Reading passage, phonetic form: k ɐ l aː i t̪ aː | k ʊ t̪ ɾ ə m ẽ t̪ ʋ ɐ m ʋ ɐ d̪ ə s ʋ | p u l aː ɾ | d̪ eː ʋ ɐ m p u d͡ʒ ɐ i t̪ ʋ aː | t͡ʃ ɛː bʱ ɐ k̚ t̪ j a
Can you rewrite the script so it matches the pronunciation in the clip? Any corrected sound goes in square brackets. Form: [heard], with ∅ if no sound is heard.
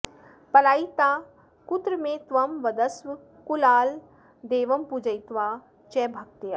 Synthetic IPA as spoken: [p] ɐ l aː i t̪ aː | k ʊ t̪ ɾ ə m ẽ t̪ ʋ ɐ m ʋ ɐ d̪ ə s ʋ | [k] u l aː [l] | d̪ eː ʋ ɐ m p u d͡ʒ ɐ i t̪ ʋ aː | t͡ʃ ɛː bʱ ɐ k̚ t̪ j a

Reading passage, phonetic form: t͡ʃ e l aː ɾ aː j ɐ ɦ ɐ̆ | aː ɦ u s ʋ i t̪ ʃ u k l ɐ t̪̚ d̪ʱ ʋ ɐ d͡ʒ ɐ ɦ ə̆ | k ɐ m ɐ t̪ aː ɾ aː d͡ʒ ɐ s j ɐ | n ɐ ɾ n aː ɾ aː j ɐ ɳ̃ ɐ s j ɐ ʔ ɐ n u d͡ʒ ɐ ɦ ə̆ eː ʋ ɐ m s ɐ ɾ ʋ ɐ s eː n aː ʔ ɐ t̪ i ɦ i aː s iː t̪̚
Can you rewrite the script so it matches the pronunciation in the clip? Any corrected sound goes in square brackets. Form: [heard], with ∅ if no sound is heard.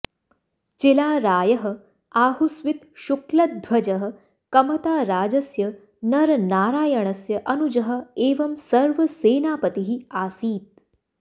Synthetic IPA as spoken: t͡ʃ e l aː ɾ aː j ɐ ɦ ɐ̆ | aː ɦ u s ʋ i t̪ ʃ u k l ɐ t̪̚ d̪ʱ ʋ ɐ d͡ʒ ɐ ɦ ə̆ | k ɐ m ɐ t̪ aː ɾ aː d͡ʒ ɐ s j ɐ | n ɐ ɾ n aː ɾ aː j ɐ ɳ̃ ɐ s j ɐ ʔ ɐ n u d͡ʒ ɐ ɦ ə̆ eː ʋ ɐ m s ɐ ɾ ʋ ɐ s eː n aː [p] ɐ t̪ i ɦ i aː s iː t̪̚

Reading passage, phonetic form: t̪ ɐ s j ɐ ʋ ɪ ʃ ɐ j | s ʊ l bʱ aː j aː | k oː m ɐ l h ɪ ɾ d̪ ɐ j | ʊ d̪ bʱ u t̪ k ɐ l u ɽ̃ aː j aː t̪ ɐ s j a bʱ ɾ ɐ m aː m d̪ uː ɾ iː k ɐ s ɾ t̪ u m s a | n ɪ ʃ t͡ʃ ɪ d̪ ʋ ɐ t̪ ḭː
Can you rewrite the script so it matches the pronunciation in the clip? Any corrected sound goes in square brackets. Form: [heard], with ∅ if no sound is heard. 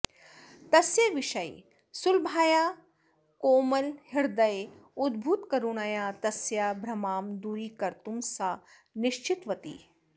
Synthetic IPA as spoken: t̪ ɐ s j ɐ ʋ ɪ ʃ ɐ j | s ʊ l bʱ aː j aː | k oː m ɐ l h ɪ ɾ d̪ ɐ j | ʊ d̪ bʱ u t̪ k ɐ [ɾ] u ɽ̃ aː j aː t̪ ɐ s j a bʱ ɾ ɐ m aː m d̪ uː ɾ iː k ɐ [∅] ɾ t̪ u m s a | n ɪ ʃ t͡ʃ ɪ [t̪] ʋ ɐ t̪ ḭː

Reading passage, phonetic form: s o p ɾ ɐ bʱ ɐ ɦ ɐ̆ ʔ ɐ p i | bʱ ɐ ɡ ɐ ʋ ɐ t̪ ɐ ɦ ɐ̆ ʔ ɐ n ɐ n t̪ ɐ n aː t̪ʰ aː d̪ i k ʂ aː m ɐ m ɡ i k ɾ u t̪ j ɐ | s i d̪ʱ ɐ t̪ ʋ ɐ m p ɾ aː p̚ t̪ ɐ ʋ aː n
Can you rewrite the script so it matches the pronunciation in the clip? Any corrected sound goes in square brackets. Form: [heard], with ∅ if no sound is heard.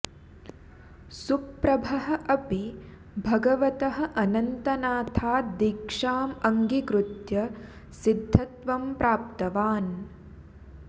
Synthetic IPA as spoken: s [u] p ɾ ɐ bʱ ɐ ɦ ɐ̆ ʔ ɐ p i | bʱ ɐ ɡ ɐ ʋ ɐ t̪ ɐ ɦ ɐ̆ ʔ ɐ n ɐ n t̪ ɐ n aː t̪ʰ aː d̪ i k ʂ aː m ɐ [ŋ] ɡ i k ɾ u t̪ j ɐ | s i [d̪ʱː] ɐ t̪ ʋ ɐ m p ɾ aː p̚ t̪ ɐ ʋ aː n

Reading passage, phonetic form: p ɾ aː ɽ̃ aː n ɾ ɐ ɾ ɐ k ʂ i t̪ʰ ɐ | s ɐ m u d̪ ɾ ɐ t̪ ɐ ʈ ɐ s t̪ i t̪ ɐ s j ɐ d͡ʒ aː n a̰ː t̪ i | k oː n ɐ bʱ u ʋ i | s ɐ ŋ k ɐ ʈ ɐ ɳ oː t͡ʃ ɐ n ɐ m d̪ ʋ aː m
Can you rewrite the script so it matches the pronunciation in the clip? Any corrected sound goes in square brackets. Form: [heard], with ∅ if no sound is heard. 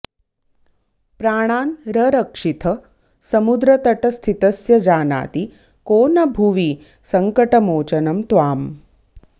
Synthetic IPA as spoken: p ɾ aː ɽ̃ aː n ɾ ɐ ɾ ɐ k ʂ i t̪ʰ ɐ | s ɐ m u d̪ ɾ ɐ t̪ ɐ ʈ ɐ s [t̪ʰ] i t̪ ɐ s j ɐ d͡ʒ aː n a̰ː t̪ i | k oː n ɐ bʱ u ʋ i | s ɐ ŋ k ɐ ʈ ɐ [m] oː t͡ʃ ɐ n ɐ m [t̪] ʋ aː m

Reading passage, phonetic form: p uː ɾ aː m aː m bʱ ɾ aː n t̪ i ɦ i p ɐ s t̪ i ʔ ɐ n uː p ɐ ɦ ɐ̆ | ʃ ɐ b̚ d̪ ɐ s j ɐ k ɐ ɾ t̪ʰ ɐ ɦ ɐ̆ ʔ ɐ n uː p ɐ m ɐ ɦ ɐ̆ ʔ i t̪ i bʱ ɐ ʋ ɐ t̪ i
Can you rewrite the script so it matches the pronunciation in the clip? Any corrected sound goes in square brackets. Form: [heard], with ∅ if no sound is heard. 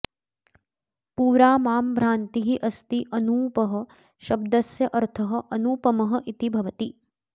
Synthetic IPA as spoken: p uː ɾ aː m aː m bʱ ɾ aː n t̪ i ɦ i [ʔ] ɐ s t̪ i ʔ ɐ n uː p ɐ ɦ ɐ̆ | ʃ ɐ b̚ d̪ ɐ s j ɐ [ʔ] ɐ ɾ t̪ʰ ɐ ɦ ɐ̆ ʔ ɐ n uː p ɐ m ɐ ɦ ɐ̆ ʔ i t̪ i bʱ ɐ ʋ ɐ t̪ i

